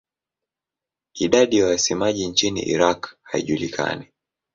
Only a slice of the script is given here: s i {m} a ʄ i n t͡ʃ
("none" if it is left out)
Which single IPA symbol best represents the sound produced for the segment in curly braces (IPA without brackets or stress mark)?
m